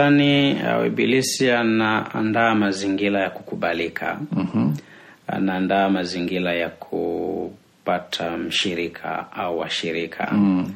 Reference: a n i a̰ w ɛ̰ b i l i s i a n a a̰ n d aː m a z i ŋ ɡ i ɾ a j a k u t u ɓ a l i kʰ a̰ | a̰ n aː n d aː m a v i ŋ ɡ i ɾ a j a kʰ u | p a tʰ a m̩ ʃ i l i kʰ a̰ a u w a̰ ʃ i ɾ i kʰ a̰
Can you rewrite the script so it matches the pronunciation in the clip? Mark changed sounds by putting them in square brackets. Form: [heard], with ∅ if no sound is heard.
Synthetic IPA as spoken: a n i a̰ w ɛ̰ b i l i s i a n a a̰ n d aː m a z i ŋ ɡ i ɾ a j a k u [k] u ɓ a l i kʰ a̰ | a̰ n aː n d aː m a [z] i ŋ ɡ i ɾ a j a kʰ u | p a tʰ a m̩ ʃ i [ɾ] i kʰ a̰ a u w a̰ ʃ i ɾ i kʰ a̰